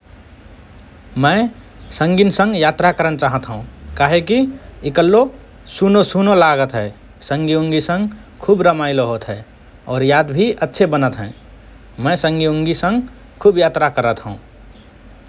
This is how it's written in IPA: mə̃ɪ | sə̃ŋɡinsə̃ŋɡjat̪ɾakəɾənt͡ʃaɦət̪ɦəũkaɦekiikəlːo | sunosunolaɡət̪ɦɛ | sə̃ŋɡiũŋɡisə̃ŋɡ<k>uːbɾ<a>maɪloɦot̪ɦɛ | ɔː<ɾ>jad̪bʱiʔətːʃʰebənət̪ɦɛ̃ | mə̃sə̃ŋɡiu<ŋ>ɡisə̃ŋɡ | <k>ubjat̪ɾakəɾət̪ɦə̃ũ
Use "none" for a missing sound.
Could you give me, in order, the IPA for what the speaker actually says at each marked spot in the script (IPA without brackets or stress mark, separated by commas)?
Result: kʰ, ə, ɾ, ŋ, kʰ